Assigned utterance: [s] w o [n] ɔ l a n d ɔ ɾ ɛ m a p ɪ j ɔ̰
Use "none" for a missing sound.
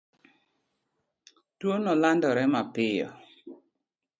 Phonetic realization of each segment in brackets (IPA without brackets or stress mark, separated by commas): t, n